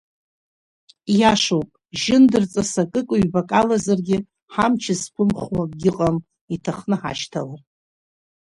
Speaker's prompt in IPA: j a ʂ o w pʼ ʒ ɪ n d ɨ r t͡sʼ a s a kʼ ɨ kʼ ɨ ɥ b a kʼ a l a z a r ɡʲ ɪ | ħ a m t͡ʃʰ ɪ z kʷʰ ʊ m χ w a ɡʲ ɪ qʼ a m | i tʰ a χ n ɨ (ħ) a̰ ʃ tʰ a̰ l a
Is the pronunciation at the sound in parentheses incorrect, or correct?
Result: correct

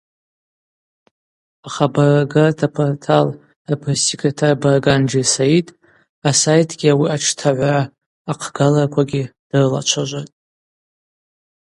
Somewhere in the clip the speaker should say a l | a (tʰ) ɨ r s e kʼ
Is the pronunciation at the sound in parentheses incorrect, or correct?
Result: incorrect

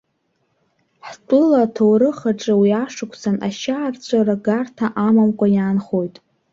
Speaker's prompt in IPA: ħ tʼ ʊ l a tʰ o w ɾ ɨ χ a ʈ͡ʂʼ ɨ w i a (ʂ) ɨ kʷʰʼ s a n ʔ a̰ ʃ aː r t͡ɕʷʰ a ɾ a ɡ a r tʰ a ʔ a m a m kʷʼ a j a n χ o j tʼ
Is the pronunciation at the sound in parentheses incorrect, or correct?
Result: correct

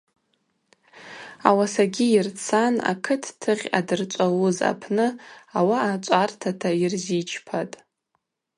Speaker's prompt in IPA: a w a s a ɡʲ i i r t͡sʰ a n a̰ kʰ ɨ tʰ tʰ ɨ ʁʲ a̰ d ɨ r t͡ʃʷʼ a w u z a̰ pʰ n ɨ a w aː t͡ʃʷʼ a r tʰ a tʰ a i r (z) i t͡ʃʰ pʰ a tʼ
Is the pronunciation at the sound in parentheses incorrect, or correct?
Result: correct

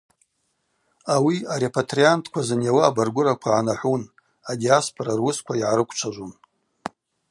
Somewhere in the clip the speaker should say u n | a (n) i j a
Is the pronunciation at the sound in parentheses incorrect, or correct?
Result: incorrect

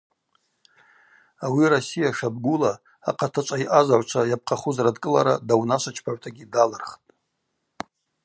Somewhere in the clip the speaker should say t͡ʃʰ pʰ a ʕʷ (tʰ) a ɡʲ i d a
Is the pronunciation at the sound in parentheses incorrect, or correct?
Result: correct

